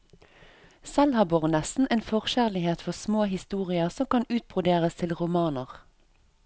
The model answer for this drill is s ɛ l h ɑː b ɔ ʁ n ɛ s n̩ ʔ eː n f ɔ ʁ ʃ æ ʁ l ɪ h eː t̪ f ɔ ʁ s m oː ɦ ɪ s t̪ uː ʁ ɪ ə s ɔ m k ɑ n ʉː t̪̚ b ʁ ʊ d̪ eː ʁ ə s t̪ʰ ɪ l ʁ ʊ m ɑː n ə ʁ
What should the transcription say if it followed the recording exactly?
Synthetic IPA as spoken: s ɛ l h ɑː b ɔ ʁ n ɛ s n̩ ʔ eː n f ɔ ʁ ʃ æ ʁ l ɪ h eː t̪ f ɔ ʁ s m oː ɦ ɪ s t̪ uː ʁ ɪ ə s ɔ m k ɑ n ʉː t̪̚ b ʁ ʊ d̪ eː ʁ ə s t̪ʰ ɪ l ʁ ʊ m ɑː n ə ʁ